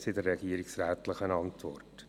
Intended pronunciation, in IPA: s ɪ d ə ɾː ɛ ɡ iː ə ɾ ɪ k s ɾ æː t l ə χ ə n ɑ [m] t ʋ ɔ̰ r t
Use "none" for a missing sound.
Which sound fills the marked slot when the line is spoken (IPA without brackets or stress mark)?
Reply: n